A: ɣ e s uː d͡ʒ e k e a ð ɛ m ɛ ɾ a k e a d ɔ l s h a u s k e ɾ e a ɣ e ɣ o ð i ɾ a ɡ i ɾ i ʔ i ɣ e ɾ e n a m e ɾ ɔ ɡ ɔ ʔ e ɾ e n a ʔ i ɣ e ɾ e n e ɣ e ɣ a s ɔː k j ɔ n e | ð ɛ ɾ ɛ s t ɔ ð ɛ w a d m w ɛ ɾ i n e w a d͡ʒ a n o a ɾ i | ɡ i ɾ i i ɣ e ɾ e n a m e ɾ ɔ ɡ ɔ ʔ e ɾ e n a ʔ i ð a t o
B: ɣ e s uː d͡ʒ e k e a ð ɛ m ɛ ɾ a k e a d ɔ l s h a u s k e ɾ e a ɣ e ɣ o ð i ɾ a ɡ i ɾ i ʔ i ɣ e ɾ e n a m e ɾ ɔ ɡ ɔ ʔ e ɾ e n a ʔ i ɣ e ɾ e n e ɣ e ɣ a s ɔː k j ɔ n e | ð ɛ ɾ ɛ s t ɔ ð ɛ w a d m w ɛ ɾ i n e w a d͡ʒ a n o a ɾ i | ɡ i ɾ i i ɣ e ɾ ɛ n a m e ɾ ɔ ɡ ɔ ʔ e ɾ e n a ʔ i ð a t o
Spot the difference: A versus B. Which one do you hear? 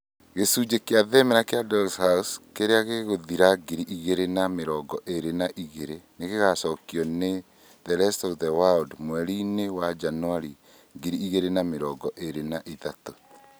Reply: A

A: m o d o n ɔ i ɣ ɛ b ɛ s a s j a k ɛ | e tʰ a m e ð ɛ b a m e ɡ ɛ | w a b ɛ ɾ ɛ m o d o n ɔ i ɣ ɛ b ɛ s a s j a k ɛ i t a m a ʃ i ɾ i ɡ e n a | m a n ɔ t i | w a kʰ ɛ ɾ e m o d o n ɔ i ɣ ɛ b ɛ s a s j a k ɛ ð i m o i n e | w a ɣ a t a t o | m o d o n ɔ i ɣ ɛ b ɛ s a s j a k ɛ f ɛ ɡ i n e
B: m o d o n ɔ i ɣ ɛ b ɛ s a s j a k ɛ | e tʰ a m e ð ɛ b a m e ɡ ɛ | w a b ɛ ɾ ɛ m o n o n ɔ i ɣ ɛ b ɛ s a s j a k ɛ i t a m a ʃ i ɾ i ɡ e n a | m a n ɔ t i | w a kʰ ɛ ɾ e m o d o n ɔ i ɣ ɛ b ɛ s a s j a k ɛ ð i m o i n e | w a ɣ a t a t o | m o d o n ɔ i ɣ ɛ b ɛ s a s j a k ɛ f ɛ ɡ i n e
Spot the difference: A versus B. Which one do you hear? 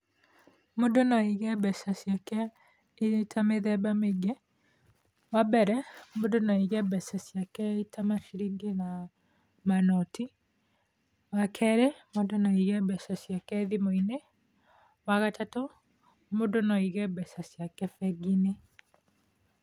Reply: A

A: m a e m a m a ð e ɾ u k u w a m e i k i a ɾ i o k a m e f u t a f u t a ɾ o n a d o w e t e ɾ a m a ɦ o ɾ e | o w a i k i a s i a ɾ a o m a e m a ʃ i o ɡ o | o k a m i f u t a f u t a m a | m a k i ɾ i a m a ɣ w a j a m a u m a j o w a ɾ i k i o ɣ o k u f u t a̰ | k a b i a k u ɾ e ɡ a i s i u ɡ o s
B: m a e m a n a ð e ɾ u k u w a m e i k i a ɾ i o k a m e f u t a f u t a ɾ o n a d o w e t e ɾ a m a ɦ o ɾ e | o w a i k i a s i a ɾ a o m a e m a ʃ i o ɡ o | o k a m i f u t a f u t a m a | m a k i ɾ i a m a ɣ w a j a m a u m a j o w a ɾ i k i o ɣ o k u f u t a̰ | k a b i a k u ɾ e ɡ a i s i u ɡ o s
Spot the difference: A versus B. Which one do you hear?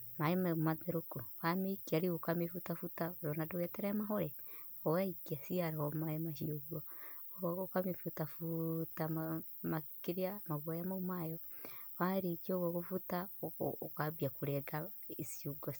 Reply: A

